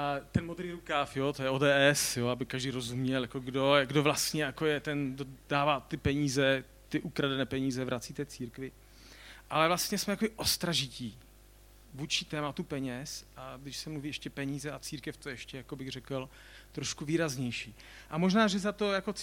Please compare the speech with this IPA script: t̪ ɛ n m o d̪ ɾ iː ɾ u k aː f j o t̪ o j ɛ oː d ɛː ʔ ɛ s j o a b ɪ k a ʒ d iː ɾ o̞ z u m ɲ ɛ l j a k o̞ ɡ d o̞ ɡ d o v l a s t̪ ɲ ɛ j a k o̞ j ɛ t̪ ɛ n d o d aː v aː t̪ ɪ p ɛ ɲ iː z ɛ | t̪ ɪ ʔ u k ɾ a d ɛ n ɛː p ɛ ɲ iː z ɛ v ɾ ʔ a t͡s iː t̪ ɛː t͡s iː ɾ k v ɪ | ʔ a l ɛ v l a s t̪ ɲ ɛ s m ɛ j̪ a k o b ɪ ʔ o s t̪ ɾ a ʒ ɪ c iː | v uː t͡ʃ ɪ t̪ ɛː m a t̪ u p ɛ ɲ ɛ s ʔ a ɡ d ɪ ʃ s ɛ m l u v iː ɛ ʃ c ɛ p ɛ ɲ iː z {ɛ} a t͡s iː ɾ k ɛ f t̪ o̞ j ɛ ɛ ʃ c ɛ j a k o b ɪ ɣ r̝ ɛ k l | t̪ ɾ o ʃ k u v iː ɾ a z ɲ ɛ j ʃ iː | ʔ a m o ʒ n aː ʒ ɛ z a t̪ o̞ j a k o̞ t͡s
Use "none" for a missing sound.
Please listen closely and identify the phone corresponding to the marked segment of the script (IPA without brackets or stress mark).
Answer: ɛ